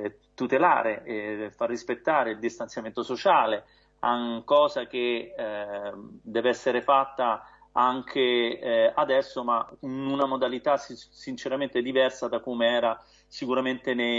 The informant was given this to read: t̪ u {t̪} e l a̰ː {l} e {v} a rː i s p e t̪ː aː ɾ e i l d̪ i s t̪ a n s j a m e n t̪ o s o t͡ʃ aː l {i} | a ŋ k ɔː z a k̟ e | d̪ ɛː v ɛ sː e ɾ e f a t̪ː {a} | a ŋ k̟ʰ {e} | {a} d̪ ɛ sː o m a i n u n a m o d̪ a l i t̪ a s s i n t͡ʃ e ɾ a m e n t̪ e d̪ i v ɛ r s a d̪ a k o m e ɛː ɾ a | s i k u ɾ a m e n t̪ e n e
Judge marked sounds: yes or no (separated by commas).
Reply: yes, no, no, no, yes, yes, yes